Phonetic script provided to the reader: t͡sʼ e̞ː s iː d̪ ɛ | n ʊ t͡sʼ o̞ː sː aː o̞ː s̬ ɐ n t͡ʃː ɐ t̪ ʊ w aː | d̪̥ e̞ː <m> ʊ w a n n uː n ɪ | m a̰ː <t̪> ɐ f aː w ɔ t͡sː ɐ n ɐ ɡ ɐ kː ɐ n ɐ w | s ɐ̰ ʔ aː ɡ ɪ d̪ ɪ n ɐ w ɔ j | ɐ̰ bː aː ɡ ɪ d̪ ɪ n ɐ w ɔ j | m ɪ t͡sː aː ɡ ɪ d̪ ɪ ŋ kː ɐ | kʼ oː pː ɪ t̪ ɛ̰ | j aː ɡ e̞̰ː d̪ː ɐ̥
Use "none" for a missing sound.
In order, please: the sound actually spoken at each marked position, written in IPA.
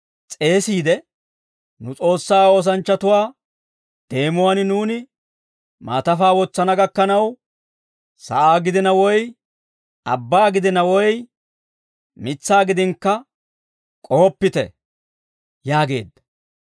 m, t̪

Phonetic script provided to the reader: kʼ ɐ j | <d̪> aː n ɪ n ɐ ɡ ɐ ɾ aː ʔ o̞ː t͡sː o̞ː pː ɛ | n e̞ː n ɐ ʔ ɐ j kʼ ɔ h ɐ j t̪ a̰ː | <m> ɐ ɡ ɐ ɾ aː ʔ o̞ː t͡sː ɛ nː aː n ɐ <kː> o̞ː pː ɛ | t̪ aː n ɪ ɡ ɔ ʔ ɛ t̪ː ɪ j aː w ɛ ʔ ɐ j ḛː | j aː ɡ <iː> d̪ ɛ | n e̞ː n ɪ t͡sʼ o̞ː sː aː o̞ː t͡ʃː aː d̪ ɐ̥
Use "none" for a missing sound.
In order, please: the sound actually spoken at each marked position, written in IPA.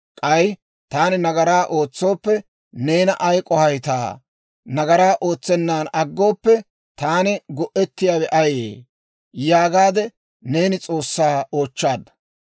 t̪, n, ɡː, aː

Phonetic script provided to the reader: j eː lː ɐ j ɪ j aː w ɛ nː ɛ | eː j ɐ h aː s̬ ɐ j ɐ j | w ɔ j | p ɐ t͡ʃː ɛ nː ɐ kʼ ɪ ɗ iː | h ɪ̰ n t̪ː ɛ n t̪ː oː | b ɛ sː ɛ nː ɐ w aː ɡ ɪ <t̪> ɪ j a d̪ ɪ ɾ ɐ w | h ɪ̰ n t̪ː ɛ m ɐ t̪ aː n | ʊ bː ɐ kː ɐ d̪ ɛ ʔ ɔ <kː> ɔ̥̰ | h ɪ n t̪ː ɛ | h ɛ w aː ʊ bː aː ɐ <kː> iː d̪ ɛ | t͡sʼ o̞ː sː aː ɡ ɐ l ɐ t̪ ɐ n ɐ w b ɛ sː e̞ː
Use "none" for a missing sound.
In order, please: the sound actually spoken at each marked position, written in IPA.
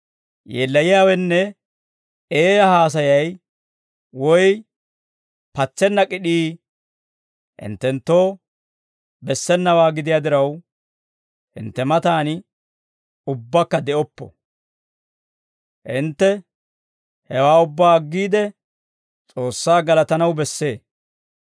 d̪, pː, ɡː

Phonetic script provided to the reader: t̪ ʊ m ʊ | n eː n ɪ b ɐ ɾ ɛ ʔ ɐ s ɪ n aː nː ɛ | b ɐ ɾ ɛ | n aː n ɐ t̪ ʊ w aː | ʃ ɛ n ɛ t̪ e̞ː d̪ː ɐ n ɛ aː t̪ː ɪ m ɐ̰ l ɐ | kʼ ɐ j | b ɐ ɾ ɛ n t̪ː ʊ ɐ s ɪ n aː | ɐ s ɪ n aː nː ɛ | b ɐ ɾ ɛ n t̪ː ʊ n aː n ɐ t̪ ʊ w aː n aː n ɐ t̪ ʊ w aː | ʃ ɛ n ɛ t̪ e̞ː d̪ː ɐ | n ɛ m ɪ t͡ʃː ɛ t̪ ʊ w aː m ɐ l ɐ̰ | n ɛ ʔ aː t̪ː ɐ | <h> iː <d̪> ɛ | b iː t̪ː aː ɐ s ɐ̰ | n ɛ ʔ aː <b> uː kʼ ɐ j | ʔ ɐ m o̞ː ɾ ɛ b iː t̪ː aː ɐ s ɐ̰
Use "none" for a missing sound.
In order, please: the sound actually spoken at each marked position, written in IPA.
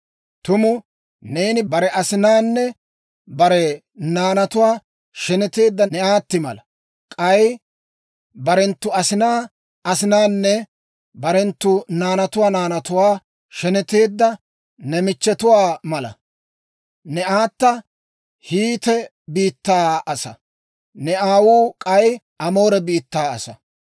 h, t̪, w

